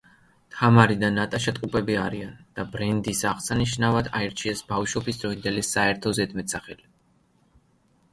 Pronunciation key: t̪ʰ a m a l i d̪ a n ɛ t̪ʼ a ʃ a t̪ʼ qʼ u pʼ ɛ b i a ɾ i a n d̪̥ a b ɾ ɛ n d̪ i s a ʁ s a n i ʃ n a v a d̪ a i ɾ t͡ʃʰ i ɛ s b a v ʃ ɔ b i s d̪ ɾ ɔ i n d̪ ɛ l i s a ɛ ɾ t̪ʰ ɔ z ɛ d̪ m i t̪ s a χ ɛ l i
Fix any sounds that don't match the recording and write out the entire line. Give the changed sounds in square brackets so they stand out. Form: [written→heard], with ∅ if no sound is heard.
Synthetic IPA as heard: t̪ʰ a m a [l→ɾ] i d̪ a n [ɛ→a] t̪ʼ a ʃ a t̪ʼ qʼ u pʼ ɛ b i a ɾ i a n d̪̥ a b ɾ ɛ n d̪ i s a ʁ s a n i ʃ n a v a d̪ a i ɾ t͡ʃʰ i ɛ s b a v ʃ ɔ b i s d̪ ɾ ɔ i n d̪ ɛ l i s a ɛ ɾ t̪ʰ ɔ z ɛ d̪ m [i→ɛ] t̪ s a χ ɛ l i